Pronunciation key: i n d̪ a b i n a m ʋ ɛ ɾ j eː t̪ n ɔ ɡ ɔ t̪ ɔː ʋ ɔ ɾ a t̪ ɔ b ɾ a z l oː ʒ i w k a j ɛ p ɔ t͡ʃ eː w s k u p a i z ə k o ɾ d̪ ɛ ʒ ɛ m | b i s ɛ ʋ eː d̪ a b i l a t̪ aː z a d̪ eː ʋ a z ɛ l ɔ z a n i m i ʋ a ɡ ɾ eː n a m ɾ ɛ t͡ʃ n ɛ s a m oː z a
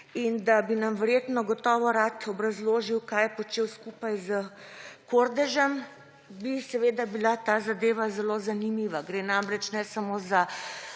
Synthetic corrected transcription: i n d̪ a b i n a m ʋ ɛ ɾ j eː t̪ n ɔ ɡ ɔ t̪ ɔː ʋ ɔ ɾ a t̪ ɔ b ɾ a z l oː ʒ i w k a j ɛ p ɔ t͡ʃ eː w s k u p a j z ə k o ɾ d̪ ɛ ʒ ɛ m | b i s ɛ ʋ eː d̪ a b i l a t̪ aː z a d̪ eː ʋ a z ɛ l o z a n i m i ʋ a ɡ ɾ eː n a m ɾ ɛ t͡ʃ n ɛ s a m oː z a

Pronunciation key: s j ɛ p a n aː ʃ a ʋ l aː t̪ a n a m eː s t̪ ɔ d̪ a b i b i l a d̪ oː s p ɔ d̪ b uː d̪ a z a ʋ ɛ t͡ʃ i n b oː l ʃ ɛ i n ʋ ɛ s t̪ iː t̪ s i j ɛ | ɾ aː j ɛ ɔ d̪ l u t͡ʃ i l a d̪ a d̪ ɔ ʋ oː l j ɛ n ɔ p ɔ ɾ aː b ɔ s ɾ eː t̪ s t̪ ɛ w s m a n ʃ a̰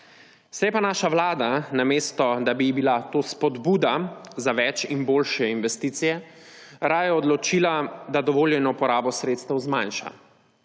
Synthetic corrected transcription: s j ɛ p a n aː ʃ a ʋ l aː d̪ a n a m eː s t̪ ɔ d̪ a b i b i l a t̪ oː s p ɔ d̪ b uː d̪ a z a ʋ ɛ t͡ʃ i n b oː l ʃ ɛ i n ʋ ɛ s t̪ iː t̪ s i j ɛ | ɾ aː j ɛ ɔ d̪ l ɔ t͡ʃ i l a d̪ a d̪ ɔ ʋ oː l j ɛ n ɔ p ɔ ɾ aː b ɔ s ɾ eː t̪ s t̪ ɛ w z m a n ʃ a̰

